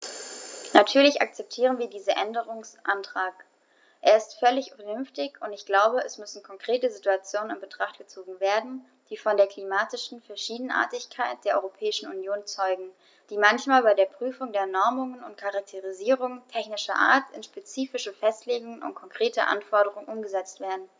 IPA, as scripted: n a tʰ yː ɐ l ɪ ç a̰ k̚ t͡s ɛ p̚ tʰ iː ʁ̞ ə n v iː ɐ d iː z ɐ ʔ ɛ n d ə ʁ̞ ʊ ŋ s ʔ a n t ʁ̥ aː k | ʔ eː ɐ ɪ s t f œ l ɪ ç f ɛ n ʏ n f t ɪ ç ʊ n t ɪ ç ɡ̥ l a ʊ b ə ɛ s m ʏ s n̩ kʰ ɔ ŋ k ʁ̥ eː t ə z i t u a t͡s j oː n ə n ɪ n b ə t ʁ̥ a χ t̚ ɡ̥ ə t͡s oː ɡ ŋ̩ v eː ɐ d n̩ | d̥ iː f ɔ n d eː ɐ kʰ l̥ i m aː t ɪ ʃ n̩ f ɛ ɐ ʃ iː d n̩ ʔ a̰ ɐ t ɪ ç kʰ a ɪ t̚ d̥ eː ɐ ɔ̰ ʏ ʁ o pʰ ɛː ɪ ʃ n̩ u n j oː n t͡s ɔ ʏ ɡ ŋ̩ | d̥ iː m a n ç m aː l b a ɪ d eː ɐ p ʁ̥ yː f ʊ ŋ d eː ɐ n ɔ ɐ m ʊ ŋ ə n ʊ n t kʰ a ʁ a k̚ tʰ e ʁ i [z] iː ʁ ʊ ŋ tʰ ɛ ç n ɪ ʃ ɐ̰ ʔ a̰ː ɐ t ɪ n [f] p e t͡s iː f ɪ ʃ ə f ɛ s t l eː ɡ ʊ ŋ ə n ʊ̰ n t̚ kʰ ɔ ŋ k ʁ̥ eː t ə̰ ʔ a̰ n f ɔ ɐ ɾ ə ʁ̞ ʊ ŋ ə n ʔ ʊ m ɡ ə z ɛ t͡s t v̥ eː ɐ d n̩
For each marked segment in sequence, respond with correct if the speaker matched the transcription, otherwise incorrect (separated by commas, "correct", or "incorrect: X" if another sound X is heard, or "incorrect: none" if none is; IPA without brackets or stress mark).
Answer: correct, incorrect: ʃ